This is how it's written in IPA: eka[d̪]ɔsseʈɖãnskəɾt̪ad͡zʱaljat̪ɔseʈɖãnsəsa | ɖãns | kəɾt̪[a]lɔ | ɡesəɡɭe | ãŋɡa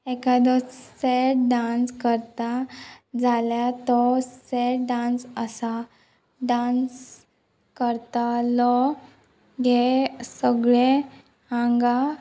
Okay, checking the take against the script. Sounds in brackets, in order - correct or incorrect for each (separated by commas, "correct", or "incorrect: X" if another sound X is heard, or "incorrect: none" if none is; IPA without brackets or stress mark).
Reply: correct, correct